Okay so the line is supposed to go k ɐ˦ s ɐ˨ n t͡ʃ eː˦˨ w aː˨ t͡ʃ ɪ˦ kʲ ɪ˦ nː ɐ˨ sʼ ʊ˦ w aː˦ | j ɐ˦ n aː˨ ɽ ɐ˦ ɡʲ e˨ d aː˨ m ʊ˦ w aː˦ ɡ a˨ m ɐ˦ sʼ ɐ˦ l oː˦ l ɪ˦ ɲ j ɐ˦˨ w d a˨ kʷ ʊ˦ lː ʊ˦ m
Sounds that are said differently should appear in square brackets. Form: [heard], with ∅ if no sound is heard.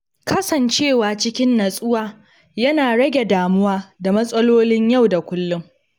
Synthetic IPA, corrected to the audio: k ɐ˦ s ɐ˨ n t͡ʃ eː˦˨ w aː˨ t͡ʃ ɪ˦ kʲ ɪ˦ nː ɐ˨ sʼ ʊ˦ w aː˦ | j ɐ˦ n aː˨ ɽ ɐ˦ ɡʲ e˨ d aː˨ m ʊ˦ w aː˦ [d] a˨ m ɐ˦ sʼ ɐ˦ l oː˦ l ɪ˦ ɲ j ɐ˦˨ w d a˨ kʷ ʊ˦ lː ʊ˦ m